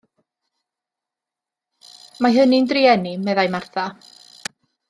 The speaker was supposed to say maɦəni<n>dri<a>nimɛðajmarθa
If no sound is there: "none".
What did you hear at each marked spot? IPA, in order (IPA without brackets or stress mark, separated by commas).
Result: n, ɛ